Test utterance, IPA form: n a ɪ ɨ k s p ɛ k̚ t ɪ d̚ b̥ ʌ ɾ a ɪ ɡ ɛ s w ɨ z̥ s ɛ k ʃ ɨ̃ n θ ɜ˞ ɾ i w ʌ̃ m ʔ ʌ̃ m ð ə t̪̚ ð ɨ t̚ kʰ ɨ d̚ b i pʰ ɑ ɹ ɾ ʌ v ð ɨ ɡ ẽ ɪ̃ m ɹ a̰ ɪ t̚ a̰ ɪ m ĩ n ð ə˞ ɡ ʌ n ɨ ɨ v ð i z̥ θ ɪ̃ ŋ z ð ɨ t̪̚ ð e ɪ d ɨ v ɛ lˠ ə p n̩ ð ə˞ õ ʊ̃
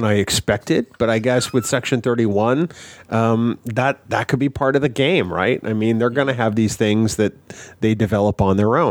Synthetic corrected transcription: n a ɪ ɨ k s p ɛ k̚ t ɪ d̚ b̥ ʌ ɾ a ɪ ɡ ɛ s w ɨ ð̥ s ɛ k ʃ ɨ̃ n θ ɜ˞ ɾ i w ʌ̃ n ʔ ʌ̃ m ð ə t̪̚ ð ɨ t̚ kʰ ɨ d̚ b i pʰ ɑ ɹ ɾ ʌ v ð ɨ ɡ ẽ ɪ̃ m ɹ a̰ ɪ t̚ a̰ ɪ m ĩ n ð ə˞ ɡ ʌ n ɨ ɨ v ð i z̥ θ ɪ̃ ŋ z ð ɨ t̪̚ ð e ɪ d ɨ v ɛ lˠ ə p n̩ ð ə˞ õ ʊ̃